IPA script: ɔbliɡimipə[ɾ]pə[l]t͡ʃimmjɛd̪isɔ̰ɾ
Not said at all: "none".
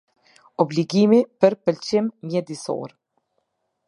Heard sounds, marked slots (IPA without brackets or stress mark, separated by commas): ɾ, l